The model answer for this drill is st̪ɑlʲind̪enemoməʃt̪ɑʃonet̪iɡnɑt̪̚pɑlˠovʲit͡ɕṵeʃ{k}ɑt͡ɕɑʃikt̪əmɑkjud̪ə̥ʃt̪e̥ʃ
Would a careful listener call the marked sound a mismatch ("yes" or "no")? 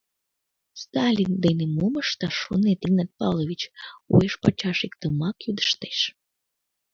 yes